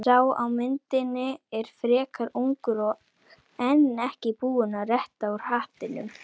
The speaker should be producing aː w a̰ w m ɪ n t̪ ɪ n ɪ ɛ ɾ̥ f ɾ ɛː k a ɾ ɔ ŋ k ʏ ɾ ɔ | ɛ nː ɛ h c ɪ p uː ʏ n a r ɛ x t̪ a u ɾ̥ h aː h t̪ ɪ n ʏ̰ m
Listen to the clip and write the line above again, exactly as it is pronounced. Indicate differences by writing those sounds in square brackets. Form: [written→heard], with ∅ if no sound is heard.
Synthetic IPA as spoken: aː w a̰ w m ɪ n t̪ ɪ n ɪ ɛ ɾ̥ f ɾ ɛː k a ɾ [ɔ→u] ŋ k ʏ ɾ ɔ | ɛ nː ɛ h c ɪ p uː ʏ n a r ɛ [x→h] t̪ a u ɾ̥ h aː h t̪ ɪ n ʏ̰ m